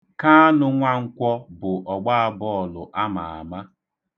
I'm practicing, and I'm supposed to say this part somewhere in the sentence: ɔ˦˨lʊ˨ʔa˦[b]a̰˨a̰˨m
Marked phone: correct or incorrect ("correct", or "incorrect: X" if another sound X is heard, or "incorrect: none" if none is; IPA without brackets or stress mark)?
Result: incorrect: m